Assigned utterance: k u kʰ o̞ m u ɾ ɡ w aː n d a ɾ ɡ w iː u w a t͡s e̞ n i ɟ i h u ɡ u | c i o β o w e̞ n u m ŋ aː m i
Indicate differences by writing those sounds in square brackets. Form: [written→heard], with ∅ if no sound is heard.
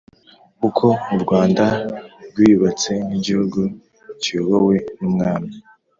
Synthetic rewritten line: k u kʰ o̞ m u ɾ ɡ w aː n d a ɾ ɡ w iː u [w→β] a t͡s e̞ n i ɟ i h u ɡ u | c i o β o w e̞ n u m ŋ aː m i